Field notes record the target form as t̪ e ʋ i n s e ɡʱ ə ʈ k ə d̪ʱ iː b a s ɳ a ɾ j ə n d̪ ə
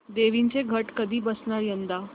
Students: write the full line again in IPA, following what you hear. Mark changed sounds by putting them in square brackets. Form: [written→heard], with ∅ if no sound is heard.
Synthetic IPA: [t̪→d̪] e ʋ i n [s→t͡s] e ɡʱ ə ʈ k ə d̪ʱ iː b [a→ə] s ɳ a ɾ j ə n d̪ [ə→a]